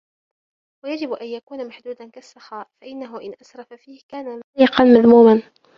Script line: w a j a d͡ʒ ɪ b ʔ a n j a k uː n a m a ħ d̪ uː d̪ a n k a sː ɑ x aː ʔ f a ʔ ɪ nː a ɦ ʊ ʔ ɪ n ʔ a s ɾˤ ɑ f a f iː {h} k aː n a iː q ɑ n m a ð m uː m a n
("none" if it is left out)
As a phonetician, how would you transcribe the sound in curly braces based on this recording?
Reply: h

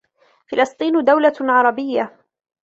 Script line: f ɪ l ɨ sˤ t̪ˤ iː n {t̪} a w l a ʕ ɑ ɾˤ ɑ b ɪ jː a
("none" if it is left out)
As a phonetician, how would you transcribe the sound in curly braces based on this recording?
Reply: d̪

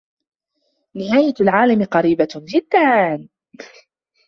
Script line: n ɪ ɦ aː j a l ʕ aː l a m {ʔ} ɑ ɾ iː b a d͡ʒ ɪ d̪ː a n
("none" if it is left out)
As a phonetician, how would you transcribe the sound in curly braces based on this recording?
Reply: q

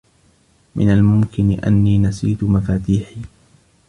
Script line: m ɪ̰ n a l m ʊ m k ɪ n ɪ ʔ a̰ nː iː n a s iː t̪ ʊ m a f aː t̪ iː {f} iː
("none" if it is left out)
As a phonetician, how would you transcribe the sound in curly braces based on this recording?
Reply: ħ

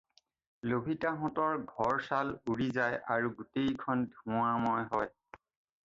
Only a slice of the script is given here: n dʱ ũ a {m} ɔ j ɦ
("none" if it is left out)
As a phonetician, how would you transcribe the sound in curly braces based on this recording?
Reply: m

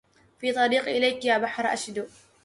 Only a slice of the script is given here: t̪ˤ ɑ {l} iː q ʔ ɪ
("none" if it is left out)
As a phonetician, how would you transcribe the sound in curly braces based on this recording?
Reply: ɾ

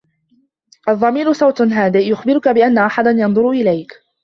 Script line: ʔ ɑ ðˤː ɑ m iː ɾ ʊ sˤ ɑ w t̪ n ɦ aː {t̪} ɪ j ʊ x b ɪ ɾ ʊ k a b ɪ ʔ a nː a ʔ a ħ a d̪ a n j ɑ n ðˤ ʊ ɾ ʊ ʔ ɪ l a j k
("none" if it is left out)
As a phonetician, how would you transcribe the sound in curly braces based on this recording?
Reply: d̪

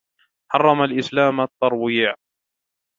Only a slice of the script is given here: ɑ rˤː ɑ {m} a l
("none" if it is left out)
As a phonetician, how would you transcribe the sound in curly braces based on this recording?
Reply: m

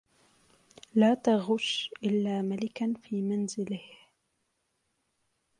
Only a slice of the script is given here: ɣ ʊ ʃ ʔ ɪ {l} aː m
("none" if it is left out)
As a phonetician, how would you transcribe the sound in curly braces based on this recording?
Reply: lː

